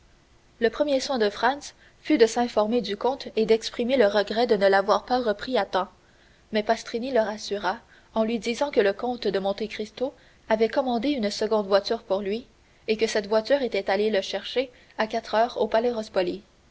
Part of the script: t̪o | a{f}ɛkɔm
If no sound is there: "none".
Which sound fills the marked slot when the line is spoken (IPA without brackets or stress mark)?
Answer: v